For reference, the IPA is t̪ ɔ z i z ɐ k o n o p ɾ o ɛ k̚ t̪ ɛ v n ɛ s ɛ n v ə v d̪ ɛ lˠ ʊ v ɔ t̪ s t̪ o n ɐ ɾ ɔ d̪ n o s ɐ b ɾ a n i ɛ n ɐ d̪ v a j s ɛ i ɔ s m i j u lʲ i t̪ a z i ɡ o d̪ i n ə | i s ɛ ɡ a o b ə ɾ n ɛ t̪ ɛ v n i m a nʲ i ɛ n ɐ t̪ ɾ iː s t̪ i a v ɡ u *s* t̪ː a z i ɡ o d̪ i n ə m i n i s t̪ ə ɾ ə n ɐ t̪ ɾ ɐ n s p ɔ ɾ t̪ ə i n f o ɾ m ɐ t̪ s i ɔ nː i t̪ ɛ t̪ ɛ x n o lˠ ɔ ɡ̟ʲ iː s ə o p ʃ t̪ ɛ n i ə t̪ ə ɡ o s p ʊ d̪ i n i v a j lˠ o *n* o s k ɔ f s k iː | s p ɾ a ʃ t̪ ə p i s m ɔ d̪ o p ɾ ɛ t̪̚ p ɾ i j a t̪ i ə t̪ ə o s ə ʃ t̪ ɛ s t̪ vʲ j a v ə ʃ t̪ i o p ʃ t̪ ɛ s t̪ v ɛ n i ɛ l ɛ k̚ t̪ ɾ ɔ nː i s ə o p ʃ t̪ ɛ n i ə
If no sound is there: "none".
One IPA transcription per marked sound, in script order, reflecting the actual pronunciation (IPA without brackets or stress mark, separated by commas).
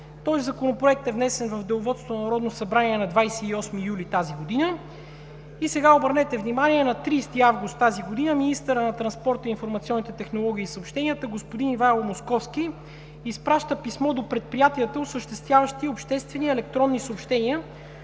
s, m